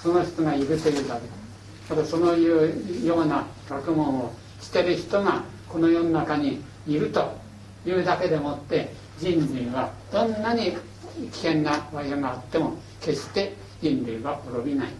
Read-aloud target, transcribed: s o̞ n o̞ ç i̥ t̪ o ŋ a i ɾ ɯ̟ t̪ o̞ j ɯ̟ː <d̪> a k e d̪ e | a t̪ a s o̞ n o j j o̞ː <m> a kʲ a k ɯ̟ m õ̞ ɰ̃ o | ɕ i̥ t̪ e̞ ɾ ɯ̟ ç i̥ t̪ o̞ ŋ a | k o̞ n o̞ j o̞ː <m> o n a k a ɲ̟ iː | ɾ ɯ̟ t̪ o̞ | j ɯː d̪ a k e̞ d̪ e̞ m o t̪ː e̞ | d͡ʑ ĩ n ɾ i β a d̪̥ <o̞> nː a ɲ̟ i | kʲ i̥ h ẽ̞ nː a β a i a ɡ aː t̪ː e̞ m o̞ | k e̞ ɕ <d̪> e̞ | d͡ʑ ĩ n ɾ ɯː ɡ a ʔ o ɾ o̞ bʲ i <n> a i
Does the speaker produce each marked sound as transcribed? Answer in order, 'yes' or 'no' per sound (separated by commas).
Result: yes, no, no, no, no, yes